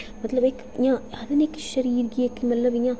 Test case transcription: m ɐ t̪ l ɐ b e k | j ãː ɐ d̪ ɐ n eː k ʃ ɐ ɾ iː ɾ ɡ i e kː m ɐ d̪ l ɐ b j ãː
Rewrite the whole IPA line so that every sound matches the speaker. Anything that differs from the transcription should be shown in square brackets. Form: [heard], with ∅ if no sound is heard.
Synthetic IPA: m ɐ t̪ l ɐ b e k | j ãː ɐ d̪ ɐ n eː k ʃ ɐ ɾ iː ɾ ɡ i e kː m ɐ [t̪] l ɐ b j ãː

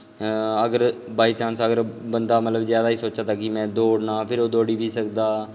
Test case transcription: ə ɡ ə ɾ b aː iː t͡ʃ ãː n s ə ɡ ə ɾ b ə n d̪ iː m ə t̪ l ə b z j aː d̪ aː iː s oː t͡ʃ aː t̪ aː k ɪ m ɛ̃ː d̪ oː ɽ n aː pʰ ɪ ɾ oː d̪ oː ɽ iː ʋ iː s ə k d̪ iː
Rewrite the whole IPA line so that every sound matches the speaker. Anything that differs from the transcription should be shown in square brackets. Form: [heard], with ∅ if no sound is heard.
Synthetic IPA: ə ɡ ə ɾ b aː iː t͡ʃ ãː n s ə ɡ ə ɾ b ə n d̪ [aː] m ə t̪ l ə b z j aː d̪ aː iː s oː t͡ʃ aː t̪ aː k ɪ m ɛ̃ː d̪ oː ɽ n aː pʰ ɪ ɾ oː d̪ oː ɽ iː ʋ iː s ə k d̪ [aː]

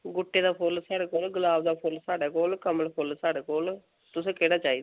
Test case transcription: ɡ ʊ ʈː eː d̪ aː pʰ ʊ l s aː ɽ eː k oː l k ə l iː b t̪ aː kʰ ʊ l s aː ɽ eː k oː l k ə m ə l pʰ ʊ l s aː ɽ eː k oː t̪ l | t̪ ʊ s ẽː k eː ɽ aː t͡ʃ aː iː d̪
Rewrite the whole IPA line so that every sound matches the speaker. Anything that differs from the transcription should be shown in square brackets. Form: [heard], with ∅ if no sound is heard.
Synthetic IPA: ɡ ʊ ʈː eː d̪ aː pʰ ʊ l s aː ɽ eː k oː l [ɡ] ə l [aː] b [d̪] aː [pʰ] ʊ l s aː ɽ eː k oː l k ə m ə l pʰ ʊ l s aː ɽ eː k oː [∅] l | t̪ ʊ s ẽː k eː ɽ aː t͡ʃ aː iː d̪

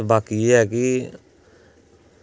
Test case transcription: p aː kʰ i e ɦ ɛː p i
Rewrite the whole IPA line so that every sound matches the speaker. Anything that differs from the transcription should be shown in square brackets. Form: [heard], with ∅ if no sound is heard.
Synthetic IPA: [b] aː [k] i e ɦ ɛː [k] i

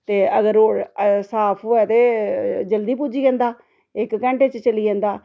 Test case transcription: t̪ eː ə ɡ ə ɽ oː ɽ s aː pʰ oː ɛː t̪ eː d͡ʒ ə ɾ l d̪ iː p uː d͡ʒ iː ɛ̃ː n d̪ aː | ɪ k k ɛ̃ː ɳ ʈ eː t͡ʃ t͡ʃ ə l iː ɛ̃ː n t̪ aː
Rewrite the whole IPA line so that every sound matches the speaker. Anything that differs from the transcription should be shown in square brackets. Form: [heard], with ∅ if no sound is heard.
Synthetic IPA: t̪ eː ə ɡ ə [ɾ] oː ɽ s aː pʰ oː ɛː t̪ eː d͡ʒ ə [∅] l d̪ iː p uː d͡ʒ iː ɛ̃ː n d̪ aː | ɪ k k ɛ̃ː ɳ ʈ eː t͡ʃ t͡ʃ ə l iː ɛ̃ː n [d̪] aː

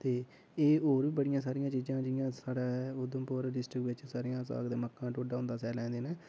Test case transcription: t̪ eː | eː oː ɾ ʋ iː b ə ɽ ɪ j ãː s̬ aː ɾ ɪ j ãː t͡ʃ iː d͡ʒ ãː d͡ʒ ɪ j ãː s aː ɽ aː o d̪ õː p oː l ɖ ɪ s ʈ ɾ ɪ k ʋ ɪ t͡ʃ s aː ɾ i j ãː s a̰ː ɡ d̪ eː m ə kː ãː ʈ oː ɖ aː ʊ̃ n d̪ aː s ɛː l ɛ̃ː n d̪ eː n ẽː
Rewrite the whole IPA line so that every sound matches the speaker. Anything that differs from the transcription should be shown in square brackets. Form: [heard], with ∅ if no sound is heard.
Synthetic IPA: t̪ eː | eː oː ɾ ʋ iː b ə ɽ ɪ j ãː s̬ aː ɾ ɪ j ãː t͡ʃ iː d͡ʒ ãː d͡ʒ ɪ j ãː s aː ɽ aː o d̪ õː p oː [ɾ] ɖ ɪ s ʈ ɾ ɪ k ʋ ɪ t͡ʃ s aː ɾ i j ãː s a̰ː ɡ d̪ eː m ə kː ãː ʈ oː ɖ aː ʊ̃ n d̪ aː s ɛː l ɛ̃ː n d̪ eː n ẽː

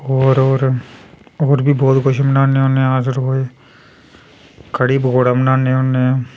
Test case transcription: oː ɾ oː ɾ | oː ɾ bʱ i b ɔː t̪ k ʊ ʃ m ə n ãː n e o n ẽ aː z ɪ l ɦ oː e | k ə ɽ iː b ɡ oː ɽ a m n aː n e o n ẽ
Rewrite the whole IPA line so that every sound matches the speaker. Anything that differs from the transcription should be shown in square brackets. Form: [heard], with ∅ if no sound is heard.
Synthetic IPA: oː ɾ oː ɾ | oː ɾ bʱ i b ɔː t̪ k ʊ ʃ m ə n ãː n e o n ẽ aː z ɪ [ɾ] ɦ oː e | k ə ɽ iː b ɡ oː ɽ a m n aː n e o n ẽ

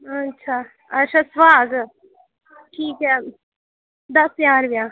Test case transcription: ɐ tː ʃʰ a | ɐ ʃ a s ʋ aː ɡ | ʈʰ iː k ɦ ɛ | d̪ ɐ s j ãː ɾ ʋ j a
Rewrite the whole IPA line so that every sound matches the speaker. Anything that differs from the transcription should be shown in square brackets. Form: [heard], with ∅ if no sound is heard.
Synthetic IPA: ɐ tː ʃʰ a | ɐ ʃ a s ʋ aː ɡ | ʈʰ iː k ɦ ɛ | d̪ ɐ s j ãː ɾ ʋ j a

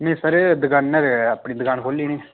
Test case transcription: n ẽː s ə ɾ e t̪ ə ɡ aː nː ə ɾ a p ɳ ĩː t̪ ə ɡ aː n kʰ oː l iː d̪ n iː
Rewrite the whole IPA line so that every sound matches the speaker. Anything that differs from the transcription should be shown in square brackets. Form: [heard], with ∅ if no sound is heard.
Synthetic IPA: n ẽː s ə ɾ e [d̪] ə ɡ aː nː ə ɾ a p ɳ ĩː [d̪] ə ɡ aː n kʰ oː l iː [∅] n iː

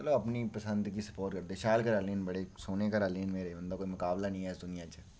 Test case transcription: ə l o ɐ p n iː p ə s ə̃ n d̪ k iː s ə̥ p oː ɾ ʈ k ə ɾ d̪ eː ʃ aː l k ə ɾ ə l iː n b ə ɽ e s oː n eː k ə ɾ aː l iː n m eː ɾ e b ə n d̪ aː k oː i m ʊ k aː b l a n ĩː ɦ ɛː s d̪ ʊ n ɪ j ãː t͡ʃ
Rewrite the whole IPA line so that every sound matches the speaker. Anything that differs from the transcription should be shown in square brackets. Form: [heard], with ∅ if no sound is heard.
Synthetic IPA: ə l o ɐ p n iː p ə s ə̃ n d̪ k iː s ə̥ p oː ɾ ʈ k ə ɾ d̪ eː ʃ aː l k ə ɾ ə l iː n b ə ɽ e s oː n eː k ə ɾ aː l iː n m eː ɾ e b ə n d̪ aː k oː i m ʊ k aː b l a n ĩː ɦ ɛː s d̪ ʊ n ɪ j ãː t͡ʃ

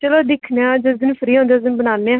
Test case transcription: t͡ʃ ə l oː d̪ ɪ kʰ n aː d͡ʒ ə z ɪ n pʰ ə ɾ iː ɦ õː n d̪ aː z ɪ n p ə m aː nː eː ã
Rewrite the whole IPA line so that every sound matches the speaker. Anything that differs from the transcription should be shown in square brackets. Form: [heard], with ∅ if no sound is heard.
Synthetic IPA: t͡ʃ ə l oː d̪ ɪ kʰ n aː d͡ʒ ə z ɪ n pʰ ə ɾ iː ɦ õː n d̪ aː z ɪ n [b] ə [n] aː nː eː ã

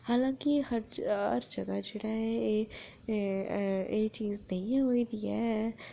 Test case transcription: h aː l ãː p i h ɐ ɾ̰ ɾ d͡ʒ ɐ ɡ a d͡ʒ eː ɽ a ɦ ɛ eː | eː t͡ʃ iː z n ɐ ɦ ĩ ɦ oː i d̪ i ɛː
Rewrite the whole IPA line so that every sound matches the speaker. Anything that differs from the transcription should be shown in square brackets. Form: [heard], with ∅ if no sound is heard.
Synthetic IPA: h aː l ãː [k] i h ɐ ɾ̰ ɾ d͡ʒ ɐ ɡ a d͡ʒ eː ɽ a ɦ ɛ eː | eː t͡ʃ iː z n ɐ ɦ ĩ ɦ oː i d̪ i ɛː

